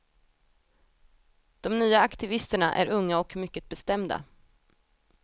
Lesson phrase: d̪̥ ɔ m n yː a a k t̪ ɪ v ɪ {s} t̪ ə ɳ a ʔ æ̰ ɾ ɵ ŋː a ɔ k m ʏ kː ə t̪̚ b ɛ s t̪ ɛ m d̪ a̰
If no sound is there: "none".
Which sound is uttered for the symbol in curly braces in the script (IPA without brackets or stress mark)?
s